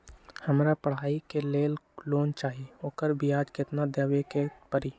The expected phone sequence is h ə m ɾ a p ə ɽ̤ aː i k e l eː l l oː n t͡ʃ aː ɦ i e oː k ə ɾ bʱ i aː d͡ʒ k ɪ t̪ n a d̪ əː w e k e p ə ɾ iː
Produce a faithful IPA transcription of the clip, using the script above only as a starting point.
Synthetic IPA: h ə m ɾ a p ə ɽ̤ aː i k e l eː l l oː n t͡ʃ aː ɦ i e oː k ə ɾ bʱ i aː d͡ʒ k ɪ t̪ n a d̪ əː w e k e p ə ɾ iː